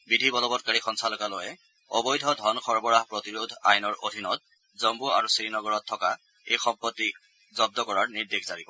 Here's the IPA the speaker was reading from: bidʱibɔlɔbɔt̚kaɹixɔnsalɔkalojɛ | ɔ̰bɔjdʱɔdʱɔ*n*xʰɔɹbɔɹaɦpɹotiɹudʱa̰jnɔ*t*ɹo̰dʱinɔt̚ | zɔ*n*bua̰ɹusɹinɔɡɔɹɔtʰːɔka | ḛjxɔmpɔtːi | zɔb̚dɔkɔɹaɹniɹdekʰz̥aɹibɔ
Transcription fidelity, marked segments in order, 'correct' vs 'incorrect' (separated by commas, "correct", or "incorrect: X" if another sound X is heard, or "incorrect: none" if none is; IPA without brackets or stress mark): correct, incorrect: none, incorrect: m